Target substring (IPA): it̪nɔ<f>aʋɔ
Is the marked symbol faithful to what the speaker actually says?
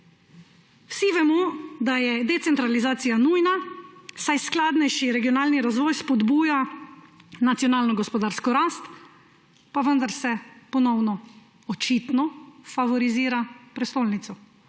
yes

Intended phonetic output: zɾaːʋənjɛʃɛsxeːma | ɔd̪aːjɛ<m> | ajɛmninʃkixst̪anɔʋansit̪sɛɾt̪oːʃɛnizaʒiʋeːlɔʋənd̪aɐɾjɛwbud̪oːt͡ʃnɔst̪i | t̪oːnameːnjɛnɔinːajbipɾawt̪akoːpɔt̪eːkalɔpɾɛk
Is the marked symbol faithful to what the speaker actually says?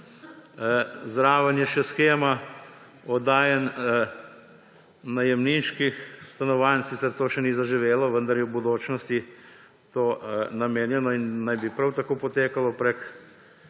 no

